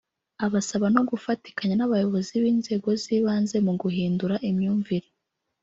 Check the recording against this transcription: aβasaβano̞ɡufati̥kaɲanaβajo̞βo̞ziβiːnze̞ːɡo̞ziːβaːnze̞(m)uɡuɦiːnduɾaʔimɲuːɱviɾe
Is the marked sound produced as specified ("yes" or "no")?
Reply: yes